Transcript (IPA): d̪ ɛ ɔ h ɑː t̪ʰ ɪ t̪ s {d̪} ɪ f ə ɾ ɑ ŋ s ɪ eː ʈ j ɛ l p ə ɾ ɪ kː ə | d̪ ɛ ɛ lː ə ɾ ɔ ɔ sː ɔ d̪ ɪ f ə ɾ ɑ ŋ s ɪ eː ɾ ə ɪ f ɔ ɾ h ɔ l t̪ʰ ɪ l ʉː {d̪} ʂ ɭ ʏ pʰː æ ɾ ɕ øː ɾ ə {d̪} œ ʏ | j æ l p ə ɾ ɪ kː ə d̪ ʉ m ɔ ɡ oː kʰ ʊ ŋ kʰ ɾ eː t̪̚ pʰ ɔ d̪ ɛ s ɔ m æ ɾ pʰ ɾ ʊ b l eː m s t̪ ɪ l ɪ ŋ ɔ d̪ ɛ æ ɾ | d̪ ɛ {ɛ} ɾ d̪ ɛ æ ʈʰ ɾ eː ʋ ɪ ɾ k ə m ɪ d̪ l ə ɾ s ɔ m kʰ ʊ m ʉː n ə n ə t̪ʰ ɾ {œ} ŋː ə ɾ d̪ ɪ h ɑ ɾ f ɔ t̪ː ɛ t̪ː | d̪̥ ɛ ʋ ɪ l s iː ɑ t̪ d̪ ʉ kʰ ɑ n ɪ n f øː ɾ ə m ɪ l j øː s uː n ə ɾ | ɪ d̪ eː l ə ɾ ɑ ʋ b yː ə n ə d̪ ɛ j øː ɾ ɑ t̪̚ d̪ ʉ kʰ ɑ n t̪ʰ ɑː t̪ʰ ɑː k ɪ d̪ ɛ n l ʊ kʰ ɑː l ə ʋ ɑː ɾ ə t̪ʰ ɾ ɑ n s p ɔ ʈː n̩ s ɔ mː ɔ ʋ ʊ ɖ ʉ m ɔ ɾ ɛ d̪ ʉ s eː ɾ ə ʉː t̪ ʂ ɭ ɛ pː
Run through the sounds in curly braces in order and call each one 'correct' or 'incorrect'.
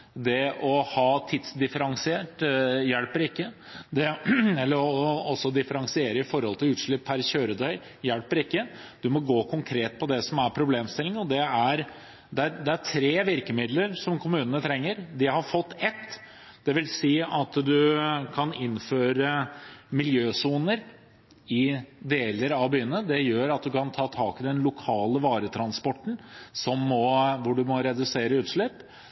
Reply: correct, incorrect: t̪, correct, incorrect: æ, incorrect: ɛ

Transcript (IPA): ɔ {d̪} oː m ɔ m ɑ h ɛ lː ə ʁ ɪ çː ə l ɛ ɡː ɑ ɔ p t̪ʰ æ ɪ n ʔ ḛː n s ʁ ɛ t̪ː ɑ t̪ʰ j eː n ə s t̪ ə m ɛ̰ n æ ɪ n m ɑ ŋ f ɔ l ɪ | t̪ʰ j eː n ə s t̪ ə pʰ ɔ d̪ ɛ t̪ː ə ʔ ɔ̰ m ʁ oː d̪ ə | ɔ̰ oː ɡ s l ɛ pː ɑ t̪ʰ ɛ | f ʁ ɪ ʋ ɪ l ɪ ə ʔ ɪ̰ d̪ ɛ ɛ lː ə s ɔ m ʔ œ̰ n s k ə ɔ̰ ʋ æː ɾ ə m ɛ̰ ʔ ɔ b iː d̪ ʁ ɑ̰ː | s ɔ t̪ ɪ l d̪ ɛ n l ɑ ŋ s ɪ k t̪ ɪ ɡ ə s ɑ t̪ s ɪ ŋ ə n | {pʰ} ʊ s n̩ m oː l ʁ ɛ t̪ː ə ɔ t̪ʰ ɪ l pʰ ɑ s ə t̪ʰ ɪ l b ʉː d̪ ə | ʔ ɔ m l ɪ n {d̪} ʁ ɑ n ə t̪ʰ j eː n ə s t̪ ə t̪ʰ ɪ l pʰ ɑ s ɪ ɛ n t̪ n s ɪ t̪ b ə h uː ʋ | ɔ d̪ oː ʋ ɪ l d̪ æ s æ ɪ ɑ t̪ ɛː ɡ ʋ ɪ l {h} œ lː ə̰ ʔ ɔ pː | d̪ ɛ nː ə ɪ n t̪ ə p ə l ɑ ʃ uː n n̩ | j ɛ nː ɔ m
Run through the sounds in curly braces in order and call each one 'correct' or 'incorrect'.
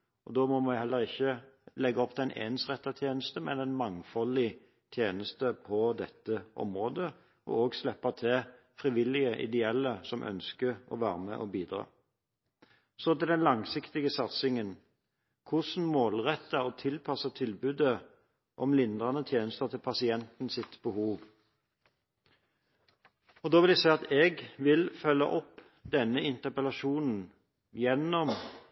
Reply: correct, incorrect: kʰ, correct, incorrect: f

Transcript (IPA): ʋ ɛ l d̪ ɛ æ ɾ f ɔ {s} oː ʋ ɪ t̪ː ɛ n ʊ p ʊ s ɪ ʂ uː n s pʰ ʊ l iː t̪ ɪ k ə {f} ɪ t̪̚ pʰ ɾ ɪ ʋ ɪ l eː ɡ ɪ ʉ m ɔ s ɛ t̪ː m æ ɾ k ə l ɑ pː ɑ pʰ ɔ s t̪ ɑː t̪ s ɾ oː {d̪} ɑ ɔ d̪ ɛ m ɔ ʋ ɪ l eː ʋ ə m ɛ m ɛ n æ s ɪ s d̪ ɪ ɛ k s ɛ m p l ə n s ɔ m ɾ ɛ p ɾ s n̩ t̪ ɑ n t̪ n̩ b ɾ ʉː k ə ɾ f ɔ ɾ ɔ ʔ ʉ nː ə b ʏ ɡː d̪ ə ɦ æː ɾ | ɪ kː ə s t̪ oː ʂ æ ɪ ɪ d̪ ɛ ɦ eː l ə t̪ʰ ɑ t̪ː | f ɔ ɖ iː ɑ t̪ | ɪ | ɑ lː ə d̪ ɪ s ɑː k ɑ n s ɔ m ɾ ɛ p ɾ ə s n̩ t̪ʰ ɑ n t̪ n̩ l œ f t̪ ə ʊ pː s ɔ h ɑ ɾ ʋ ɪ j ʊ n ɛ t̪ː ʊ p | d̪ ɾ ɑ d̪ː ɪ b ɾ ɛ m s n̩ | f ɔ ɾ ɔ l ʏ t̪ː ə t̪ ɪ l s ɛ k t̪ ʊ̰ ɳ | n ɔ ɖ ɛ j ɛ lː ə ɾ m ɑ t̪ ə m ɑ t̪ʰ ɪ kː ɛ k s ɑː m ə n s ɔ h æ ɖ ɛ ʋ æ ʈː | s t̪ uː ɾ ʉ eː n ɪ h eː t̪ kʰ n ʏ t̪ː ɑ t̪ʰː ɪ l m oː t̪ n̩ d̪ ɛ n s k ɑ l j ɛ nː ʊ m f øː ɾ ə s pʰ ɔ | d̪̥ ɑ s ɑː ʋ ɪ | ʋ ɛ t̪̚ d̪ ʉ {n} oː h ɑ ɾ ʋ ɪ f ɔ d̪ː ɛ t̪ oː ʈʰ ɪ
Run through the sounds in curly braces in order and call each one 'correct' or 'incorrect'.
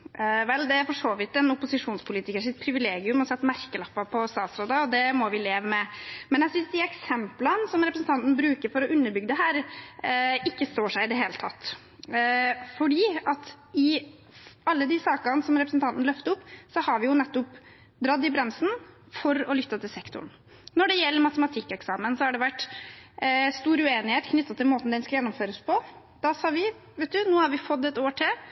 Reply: incorrect: ʂ, incorrect: ʂ, correct, correct

